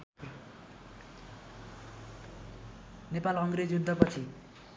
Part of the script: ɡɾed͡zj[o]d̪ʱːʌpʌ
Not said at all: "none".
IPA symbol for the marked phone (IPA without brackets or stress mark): u